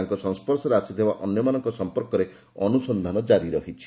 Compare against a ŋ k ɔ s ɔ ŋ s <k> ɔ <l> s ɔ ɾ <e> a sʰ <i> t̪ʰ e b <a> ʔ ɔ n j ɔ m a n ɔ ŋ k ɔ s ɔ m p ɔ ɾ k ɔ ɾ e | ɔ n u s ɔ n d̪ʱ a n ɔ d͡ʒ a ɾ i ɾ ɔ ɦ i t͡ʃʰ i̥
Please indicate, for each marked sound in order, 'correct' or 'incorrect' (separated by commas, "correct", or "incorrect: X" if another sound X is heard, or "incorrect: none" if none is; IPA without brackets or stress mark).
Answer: incorrect: p, incorrect: ɾ, correct, correct, correct